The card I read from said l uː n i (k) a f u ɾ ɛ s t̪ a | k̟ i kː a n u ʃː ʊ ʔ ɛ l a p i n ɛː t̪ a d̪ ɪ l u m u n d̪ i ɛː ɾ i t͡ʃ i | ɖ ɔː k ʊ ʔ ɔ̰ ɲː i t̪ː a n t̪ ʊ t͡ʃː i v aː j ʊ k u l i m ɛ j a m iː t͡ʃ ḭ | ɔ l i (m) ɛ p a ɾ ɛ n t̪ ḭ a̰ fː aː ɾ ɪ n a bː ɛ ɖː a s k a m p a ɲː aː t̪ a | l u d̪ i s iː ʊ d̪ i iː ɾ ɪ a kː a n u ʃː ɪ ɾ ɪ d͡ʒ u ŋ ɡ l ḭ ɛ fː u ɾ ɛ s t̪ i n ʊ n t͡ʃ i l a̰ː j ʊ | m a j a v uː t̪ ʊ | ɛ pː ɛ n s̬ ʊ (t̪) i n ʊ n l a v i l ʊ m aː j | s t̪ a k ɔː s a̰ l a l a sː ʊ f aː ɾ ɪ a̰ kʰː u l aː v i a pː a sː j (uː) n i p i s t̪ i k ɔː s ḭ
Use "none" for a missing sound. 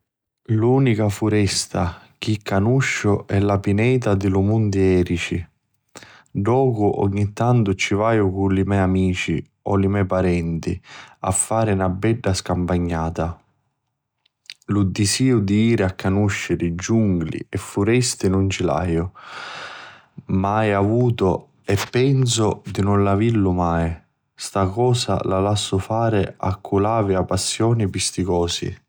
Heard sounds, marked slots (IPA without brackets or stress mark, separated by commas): k, m, d̪, ɔː